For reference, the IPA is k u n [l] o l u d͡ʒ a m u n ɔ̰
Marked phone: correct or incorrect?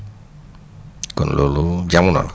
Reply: correct